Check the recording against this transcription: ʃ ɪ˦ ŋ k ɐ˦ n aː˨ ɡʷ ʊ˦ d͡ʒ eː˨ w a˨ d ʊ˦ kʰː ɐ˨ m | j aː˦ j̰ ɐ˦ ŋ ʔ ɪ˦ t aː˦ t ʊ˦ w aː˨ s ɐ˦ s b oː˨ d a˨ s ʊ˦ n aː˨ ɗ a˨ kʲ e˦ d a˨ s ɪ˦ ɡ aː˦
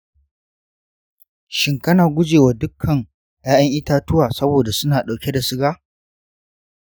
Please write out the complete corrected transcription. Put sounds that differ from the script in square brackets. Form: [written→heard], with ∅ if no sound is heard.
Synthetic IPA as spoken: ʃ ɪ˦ ŋ k ɐ˦ n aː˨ ɡʷ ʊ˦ d͡ʒ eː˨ w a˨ d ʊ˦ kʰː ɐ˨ [m→ŋ] | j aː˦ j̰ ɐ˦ ŋ ʔ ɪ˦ t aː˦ t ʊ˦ w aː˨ s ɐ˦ [s→∅] b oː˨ d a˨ s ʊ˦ n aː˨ ɗ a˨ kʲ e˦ d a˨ s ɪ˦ ɡ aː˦